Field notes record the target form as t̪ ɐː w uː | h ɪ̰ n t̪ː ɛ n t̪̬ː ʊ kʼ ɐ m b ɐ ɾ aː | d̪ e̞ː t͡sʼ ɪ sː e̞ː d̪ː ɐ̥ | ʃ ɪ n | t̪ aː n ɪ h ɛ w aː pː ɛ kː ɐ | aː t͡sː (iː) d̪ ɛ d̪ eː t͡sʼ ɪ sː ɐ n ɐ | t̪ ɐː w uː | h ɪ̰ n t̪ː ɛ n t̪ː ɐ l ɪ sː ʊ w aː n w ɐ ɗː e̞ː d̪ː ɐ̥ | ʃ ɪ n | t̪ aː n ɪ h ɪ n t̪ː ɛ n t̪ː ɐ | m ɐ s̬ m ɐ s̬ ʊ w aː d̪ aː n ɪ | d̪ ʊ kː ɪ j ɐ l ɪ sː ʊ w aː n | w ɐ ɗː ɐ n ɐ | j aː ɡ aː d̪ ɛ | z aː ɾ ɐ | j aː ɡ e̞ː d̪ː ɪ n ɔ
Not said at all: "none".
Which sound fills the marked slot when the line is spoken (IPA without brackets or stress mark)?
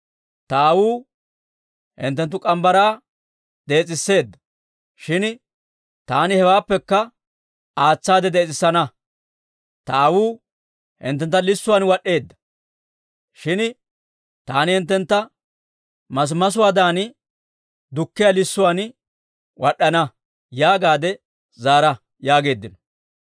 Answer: aː